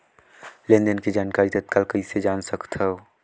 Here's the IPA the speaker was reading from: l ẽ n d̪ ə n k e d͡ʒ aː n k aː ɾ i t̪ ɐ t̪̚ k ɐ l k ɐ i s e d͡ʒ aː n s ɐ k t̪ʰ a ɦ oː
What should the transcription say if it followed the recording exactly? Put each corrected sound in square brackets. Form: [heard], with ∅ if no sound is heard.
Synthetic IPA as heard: l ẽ n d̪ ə n k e d͡ʒ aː n k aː ɾ i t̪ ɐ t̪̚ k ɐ l k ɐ i s e d͡ʒ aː n s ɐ k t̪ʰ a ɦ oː